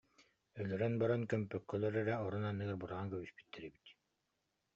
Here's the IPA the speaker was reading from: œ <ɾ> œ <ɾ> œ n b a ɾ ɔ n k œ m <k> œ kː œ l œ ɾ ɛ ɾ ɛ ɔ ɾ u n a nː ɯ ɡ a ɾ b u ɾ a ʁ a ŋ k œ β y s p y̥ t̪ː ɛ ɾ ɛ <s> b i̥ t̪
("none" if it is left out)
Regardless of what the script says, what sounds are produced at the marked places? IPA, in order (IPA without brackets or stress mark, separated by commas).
l, ɾ, p, none